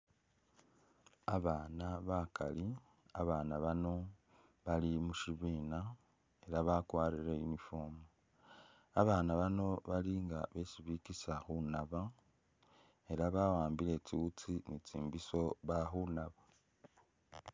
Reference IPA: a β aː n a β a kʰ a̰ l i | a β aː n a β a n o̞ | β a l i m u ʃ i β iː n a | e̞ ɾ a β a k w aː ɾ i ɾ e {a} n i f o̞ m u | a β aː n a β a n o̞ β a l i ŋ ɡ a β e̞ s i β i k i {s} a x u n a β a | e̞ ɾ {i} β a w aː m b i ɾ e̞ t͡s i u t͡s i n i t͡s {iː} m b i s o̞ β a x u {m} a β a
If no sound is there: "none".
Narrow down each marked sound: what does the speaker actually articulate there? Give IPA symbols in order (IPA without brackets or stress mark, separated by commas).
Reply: i, s, a, iː, n